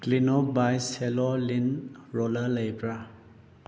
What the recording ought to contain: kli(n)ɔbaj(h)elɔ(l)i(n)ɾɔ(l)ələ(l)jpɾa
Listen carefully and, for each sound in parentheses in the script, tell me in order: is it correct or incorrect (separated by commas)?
correct, incorrect, correct, correct, correct, incorrect